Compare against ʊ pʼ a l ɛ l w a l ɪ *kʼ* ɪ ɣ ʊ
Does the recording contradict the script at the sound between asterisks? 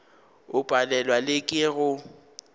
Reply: no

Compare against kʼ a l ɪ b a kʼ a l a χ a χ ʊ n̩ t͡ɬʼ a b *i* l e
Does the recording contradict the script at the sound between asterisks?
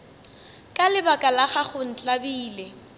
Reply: yes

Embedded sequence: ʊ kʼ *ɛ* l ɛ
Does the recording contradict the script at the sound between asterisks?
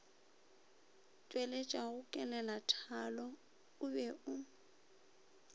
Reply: no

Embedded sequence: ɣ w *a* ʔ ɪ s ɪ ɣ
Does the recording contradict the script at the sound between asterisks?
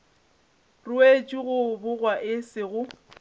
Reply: no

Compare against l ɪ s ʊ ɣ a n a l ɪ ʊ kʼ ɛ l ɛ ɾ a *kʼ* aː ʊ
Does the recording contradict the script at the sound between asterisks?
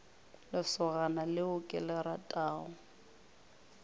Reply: yes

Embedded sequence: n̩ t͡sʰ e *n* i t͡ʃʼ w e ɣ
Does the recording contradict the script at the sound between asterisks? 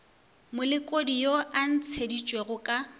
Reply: yes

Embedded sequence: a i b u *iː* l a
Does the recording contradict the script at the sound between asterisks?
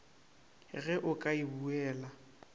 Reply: yes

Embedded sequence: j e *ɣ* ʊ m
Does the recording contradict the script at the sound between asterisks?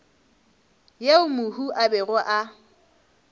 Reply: yes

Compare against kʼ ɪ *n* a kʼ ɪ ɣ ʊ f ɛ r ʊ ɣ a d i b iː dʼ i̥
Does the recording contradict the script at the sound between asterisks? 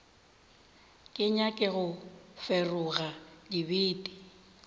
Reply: yes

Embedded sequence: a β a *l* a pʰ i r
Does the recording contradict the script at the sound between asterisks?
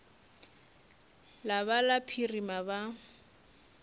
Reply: no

